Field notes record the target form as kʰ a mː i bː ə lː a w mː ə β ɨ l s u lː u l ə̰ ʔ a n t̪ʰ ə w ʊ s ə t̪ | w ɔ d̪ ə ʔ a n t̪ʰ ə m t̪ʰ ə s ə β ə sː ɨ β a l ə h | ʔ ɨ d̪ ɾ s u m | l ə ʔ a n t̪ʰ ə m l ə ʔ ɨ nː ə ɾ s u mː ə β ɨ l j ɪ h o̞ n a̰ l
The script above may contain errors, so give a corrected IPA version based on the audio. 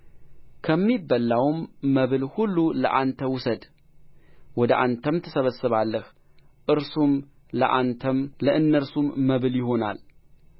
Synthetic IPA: kʰ ə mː i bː ə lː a w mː ə β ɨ l h u lː u l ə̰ ʔ a n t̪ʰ ə w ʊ s ə d̪ | w ɔ d̪ ə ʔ a n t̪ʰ ə m t̪ʰ ə s ə β ə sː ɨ β a lː ə h | ʔ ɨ ɾ s u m | l ə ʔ a n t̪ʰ ə m l ə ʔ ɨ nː ə ɾ s u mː ə β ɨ l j ɪ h o̞ n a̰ l